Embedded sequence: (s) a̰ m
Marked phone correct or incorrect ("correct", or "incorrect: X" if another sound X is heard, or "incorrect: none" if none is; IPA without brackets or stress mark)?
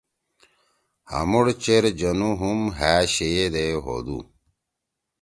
incorrect: h